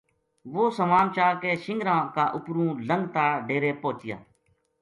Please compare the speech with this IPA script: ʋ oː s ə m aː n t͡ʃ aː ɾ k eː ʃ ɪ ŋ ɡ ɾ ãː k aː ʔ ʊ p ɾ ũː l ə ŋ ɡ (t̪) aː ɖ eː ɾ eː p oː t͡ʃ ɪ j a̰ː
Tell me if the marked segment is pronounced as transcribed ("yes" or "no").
yes